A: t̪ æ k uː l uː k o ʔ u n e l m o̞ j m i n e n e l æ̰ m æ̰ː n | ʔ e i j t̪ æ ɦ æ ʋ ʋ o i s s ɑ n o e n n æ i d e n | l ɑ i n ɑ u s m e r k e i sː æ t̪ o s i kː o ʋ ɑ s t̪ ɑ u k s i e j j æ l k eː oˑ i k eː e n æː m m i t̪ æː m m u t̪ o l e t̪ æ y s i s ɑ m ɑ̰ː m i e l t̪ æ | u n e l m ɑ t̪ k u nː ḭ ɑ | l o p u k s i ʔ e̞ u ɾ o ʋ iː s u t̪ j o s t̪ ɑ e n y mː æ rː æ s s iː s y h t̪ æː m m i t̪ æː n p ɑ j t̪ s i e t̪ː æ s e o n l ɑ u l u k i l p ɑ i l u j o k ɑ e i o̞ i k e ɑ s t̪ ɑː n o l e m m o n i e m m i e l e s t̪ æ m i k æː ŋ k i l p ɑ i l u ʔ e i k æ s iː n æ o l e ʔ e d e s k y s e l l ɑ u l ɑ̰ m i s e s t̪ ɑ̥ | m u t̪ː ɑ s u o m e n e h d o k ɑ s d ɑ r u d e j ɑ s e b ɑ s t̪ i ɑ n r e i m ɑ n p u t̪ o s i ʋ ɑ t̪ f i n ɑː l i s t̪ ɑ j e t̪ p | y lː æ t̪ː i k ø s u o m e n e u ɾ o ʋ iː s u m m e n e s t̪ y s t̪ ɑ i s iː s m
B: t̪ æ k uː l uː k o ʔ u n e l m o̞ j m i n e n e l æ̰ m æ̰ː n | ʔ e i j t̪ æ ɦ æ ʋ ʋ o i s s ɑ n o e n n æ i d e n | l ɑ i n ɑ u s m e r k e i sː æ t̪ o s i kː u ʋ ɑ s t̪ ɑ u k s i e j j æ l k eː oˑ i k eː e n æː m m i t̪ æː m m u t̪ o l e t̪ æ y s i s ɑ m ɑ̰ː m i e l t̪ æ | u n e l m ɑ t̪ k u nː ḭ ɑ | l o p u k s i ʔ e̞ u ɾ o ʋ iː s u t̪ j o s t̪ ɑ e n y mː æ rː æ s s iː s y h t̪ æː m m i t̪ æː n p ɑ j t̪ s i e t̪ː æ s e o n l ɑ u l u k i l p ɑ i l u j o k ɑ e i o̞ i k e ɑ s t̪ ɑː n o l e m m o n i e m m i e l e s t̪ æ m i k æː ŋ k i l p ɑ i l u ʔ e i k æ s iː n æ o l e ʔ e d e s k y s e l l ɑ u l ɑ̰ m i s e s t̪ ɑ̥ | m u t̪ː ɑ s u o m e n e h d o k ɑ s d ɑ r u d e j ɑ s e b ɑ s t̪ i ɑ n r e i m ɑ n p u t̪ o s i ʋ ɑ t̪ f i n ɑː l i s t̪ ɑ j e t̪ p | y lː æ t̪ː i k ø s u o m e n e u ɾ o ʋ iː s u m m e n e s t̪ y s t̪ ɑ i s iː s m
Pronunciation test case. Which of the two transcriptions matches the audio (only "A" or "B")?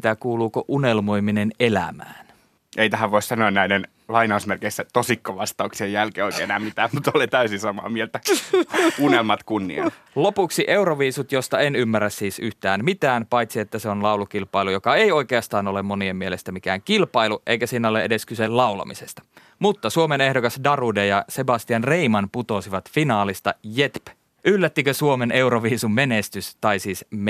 A